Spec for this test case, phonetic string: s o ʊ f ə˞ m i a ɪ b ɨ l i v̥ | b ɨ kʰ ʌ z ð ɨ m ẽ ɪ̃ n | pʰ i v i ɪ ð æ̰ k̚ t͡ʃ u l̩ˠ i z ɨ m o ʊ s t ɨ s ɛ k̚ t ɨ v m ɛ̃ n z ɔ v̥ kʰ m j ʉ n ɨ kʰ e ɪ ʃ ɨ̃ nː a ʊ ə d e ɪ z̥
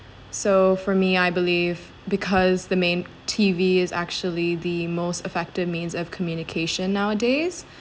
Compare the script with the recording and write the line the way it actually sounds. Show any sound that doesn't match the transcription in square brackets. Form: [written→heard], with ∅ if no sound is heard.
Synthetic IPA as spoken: s o ʊ f ə˞ m i a ɪ b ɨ l i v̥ | b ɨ kʰ ʌ z ð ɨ m ẽ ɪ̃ n | [pʰ→tʰ] i v i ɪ [ð→z] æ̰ k̚ t͡ʃ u l̩ˠ i [z→ð] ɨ m o ʊ s t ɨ [s→f] ɛ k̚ t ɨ v m [ɛ̃→ĩ] n z [ɔ→ʌ] v̥ kʰ m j ʉ n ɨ kʰ e ɪ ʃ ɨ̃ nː a ʊ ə d e ɪ z̥